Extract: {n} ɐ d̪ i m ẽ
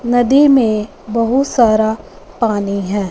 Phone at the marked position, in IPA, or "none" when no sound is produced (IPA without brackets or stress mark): n